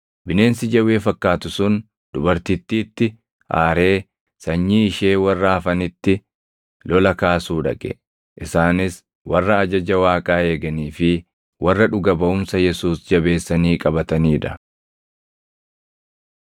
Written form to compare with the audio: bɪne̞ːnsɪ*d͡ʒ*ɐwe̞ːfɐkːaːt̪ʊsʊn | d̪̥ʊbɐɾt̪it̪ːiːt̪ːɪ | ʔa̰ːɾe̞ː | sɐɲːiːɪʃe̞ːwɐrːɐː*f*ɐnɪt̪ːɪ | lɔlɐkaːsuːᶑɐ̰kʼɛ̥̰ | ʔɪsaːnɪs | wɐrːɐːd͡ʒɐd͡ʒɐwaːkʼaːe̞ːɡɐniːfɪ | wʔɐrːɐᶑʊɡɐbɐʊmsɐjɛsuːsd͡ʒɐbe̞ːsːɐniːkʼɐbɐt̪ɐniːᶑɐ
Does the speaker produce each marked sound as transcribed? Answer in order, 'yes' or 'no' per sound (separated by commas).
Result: yes, yes